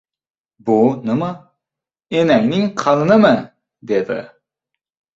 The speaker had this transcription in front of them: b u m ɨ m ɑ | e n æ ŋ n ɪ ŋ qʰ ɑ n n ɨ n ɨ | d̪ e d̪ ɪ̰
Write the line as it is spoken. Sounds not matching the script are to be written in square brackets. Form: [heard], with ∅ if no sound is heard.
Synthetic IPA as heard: b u [n] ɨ m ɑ | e n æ ŋ n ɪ ŋ qʰ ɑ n n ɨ [m] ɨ | d̪ e d̪ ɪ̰